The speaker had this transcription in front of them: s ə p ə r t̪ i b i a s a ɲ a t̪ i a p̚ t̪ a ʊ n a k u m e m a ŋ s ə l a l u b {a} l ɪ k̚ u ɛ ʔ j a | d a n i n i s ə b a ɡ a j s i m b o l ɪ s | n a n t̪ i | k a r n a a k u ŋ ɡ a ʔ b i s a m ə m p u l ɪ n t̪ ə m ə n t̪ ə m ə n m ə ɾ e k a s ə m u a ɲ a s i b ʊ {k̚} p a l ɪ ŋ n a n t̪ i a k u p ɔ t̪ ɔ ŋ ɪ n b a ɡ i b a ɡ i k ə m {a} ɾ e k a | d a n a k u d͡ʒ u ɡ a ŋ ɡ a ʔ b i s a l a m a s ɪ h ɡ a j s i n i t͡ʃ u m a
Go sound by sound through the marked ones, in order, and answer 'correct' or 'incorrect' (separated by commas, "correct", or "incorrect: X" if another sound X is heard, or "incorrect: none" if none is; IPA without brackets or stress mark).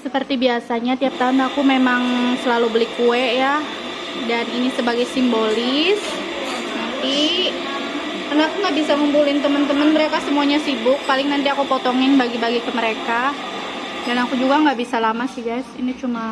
incorrect: ə, correct, incorrect: ə